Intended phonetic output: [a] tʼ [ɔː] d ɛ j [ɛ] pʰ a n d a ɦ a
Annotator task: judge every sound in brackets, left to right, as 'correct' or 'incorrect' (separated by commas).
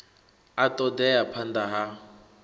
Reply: correct, incorrect, incorrect